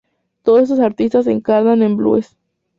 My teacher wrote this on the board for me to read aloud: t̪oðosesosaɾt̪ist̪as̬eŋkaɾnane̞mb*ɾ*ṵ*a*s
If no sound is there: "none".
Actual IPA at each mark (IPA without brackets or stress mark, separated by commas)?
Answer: l, e